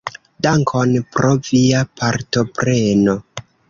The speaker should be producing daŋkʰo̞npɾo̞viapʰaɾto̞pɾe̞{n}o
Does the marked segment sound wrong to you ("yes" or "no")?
no